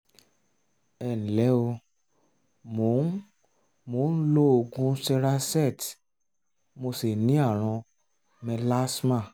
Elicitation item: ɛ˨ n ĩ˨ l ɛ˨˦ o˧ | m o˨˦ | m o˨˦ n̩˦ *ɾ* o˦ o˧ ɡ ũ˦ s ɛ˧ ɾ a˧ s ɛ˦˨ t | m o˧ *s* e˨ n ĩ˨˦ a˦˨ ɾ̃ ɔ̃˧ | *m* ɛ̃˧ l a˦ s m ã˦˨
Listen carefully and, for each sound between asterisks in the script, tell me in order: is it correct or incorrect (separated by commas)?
incorrect, correct, correct